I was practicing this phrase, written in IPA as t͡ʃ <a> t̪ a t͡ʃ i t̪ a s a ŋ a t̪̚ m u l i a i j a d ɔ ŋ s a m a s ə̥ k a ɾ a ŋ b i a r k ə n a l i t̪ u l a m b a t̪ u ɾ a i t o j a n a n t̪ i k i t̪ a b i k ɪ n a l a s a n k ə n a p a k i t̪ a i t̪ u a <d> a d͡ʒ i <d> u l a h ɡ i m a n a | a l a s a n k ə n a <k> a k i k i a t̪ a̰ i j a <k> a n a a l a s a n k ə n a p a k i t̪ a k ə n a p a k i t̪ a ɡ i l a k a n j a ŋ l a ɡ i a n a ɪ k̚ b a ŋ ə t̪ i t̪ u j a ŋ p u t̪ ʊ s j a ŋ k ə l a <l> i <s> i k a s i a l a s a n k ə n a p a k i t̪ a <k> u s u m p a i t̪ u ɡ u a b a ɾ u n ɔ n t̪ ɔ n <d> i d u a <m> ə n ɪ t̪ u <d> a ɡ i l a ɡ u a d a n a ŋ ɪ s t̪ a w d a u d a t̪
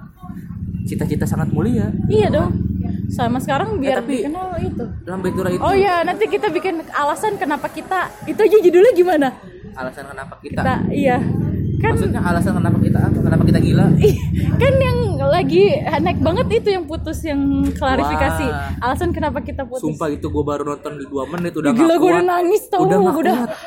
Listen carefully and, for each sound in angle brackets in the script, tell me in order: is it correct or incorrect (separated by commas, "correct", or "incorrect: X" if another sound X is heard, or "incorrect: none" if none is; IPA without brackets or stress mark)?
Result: incorrect: i, incorrect: d͡ʒ, correct, incorrect: p, correct, incorrect: ɾ, incorrect: f, incorrect: p, correct, correct, correct